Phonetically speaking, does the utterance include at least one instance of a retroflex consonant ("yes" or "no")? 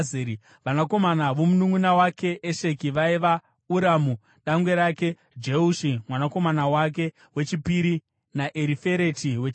no